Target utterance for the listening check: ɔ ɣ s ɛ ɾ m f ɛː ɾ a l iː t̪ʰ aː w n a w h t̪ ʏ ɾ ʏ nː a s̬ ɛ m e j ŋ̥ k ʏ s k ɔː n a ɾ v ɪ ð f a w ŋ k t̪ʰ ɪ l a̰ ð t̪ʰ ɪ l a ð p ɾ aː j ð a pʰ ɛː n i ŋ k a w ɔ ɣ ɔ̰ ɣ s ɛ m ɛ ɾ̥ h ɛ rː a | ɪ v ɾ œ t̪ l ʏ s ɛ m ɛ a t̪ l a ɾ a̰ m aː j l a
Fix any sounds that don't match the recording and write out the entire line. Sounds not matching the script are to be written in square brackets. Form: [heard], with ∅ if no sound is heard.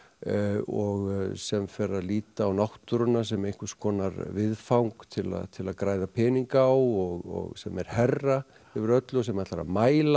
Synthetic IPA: ɔ ɣ s ɛ [∅] m f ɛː ɾ a l iː [t̪] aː w n a w h t̪ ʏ ɾ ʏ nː a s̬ ɛ m e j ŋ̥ k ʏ s k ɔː n a ɾ v ɪ ð f a w ŋ k t̪ʰ ɪ l a̰ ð t̪ʰ ɪ l a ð [k] ɾ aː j ð a pʰ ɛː n i ŋ k a w ɔ ɣ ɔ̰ ɣ s ɛ m ɛ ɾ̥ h ɛ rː a | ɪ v ɾ œ t̪ l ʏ s ɛ m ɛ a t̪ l a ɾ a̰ m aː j l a